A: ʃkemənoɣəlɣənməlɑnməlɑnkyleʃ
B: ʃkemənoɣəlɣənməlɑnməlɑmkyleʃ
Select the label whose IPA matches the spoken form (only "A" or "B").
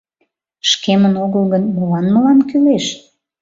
A